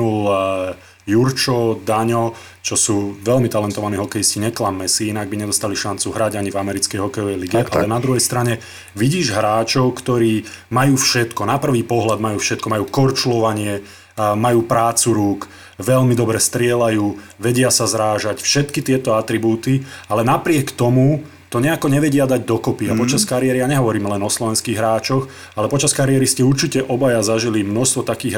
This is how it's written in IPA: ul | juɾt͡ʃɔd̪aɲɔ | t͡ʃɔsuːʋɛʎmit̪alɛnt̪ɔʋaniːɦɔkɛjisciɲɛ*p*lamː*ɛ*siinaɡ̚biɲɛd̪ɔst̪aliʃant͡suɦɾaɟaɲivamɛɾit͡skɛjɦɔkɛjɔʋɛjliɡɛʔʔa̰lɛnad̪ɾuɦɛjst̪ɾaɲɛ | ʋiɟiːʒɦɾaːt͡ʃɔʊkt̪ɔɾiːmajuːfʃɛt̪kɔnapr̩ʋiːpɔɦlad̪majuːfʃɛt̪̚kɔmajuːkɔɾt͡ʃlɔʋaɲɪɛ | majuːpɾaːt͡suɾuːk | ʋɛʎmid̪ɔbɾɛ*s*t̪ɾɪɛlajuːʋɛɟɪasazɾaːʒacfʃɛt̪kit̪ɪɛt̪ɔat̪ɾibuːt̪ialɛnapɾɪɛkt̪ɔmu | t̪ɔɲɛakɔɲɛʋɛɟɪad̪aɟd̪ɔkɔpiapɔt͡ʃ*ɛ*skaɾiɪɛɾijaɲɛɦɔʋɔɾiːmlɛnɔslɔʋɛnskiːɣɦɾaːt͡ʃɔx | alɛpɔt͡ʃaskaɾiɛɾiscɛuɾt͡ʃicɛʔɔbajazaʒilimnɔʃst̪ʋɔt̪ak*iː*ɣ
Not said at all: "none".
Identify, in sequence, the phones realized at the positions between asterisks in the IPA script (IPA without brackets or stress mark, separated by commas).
k, ɛ, s, a, iː